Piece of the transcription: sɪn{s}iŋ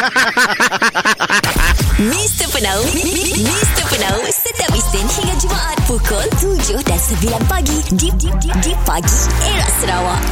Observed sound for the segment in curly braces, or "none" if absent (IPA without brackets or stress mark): h